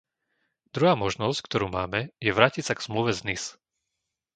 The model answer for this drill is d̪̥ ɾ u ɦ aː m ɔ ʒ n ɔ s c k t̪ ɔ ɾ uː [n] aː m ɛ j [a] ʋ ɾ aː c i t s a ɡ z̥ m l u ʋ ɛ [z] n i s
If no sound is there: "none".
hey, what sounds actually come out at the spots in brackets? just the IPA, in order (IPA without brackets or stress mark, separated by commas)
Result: m, ɛ, z